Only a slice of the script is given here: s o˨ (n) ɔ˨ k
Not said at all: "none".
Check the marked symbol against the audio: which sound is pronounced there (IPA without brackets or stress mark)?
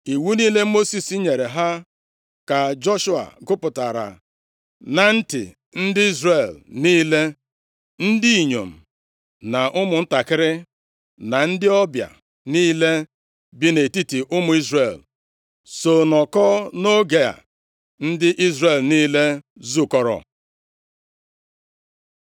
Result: n